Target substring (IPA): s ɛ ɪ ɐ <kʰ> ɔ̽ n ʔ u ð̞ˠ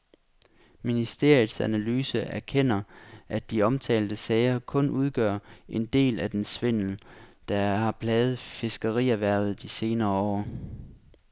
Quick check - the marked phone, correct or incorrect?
correct